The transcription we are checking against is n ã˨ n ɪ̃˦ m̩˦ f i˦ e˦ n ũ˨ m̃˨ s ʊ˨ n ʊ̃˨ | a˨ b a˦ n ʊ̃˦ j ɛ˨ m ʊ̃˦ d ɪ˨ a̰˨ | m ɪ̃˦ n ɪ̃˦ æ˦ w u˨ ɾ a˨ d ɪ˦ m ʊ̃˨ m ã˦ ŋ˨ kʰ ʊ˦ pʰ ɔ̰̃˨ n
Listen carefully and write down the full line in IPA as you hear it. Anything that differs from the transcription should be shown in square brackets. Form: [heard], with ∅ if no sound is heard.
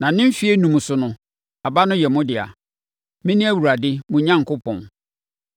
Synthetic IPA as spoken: n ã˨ n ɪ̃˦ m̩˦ f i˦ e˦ n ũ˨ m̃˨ s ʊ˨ n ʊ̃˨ | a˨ b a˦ n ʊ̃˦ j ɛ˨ m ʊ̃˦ d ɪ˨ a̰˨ | m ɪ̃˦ n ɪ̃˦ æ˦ w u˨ ɾ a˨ d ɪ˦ m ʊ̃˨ [ɲ] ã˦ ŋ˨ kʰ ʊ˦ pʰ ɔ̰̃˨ n